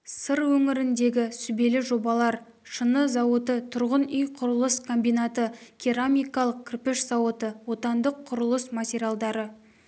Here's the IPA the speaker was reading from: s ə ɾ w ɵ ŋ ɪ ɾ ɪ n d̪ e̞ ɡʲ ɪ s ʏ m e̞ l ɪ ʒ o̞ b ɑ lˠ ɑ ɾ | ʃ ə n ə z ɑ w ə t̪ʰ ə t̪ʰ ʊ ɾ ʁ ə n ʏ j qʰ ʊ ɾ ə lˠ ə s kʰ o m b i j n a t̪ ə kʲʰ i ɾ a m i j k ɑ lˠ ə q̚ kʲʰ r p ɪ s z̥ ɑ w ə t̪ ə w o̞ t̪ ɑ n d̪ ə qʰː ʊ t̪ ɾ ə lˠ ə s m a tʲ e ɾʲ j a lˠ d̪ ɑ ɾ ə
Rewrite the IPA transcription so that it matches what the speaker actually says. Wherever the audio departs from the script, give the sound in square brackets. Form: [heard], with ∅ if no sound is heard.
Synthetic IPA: s ə ɾ w ɵ ŋ ɪ ɾ ɪ n d̪ e̞ ɡʲ ɪ s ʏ [b] e̞ l ɪ ʒ o̞ b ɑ lˠ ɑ ɾ | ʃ ə n ə z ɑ w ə [t̪] ə t̪ʰ ʊ ɾ ʁ ə n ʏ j qʰ ʊ ɾ ə lˠ ə s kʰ o m b i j n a t̪ ə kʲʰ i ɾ a m i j k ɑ lˠ ə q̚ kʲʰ r p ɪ [ʃ] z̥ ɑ w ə t̪ ə w o̞ t̪ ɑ n d̪ ə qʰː ʊ [∅] ɾ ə lˠ ə s m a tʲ e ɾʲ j a lˠ d̪ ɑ ɾ ə